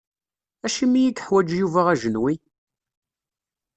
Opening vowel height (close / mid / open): open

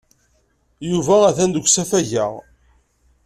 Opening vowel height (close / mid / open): close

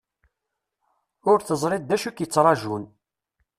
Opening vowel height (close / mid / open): close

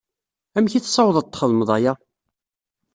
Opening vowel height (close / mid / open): open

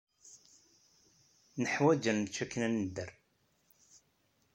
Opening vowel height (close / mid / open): mid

